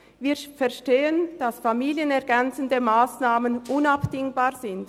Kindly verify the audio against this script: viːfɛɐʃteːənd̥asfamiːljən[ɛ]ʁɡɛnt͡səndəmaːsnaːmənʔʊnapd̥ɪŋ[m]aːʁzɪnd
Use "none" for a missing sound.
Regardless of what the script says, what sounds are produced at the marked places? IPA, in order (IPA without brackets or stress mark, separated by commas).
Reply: ɛ, b